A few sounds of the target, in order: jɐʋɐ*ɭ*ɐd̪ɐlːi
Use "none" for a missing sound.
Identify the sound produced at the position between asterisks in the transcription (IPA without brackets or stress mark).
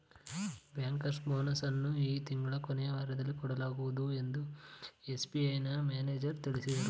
ɾ